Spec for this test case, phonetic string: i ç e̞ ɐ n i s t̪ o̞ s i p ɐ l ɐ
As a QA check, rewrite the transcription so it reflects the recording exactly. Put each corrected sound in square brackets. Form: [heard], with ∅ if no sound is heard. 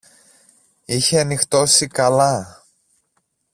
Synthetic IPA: i ç e̞ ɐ n i [x] t̪ o̞ s i [k] ɐ l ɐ